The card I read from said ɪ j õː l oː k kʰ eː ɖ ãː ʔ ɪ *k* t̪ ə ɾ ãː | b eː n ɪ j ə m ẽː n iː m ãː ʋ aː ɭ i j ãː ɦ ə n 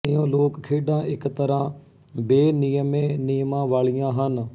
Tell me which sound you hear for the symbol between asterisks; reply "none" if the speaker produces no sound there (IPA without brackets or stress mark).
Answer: k